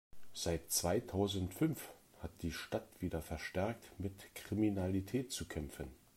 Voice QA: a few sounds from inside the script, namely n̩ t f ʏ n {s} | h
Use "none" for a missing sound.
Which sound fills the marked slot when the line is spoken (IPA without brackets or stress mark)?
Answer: f